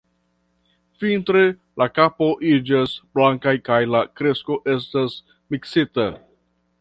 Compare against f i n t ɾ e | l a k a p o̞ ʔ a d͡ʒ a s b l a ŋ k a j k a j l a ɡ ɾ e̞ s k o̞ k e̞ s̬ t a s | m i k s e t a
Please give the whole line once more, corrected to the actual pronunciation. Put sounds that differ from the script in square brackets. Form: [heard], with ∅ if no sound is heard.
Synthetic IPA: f i n t ɾ e | l a k a p o̞ ʔ [i] d͡ʒ a s b l a ŋ k a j k a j l a [k] ɾ e̞ s k o̞ [ʔ] e̞ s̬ t a s | m i k s [i] t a